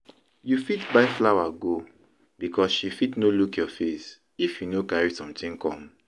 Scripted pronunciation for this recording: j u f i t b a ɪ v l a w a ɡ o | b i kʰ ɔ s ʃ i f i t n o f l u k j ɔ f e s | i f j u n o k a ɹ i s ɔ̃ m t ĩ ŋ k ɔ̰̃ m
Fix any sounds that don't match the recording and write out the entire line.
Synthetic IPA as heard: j u f i t b a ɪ f l a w a ɡ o | b i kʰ ɔ s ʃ i f i t n o l u k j ɔ f e s | i f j u n o k a ɹ i s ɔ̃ m t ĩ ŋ k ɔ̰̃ m